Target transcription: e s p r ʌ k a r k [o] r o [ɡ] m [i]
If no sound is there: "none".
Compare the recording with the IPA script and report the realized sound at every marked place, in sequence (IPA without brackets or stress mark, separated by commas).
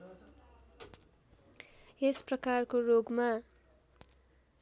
o, ɡ, a